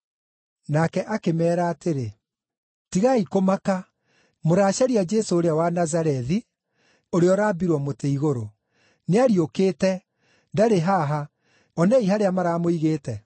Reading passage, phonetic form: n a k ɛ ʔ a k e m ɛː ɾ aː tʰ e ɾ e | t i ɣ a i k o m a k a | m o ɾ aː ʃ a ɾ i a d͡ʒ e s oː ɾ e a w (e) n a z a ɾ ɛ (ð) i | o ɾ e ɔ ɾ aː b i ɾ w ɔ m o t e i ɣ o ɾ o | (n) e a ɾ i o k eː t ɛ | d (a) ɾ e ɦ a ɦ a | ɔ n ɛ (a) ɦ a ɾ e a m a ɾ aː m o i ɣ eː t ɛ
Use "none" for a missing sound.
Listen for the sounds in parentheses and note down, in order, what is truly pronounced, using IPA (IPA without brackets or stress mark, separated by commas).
a, ð, n, a, i